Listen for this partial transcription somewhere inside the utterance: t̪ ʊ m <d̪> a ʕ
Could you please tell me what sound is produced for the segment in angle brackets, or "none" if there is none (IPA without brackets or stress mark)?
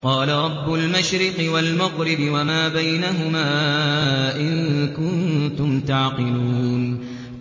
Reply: t̪